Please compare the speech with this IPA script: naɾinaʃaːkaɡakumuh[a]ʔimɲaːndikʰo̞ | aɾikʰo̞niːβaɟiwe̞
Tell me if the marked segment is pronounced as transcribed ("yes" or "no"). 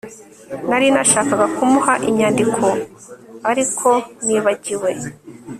yes